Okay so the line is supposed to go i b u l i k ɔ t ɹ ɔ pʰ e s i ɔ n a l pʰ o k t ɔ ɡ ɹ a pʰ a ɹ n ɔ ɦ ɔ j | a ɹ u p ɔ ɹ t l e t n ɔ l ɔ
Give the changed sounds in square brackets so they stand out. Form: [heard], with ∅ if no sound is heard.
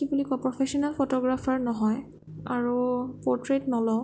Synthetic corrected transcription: i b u l i k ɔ [p] ɹ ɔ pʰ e s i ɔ n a l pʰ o [∅] t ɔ ɡ ɹ a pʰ a ɹ n ɔ ɦ ɔ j | a ɹ u p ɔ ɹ t [ɹ] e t n ɔ l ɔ